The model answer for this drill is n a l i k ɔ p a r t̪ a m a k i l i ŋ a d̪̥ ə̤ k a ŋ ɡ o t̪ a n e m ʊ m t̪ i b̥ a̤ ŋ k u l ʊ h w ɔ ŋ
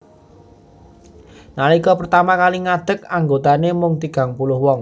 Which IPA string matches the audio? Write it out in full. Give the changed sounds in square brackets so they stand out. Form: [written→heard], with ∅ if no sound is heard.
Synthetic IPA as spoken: n a l i k ɔ p [a→ə] r t̪ a m a k [i→a] l i ŋ a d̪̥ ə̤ k a ŋ ɡ o t̪ a n e m ʊ [m→ŋ] t̪ i [b̥→ɡ̥] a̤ ŋ [k→p] u l ʊ h w ɔ ŋ